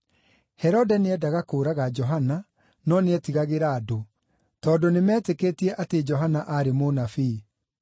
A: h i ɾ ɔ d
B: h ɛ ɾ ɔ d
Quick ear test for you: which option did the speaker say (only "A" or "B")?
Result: B